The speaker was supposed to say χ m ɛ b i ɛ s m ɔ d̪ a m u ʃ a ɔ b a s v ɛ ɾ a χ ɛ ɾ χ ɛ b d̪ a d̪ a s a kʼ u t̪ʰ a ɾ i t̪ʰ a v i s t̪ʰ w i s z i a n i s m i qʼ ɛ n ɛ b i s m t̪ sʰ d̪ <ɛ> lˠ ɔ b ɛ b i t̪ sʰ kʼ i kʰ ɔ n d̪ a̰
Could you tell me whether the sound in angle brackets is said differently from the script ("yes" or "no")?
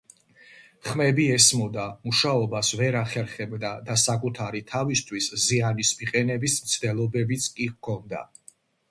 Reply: no